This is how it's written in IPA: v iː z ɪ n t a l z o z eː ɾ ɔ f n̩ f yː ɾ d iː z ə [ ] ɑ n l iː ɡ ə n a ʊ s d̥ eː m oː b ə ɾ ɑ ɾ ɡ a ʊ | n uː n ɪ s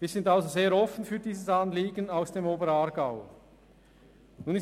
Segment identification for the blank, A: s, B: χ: A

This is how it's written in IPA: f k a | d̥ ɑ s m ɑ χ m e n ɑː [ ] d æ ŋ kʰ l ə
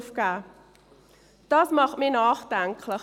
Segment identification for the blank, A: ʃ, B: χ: B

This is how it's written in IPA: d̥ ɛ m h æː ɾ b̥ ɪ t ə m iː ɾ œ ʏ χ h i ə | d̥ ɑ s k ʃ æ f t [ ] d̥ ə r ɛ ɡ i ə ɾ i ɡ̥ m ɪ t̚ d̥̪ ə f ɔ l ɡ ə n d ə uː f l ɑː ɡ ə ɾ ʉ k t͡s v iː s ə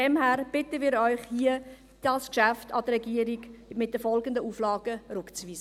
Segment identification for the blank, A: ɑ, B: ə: A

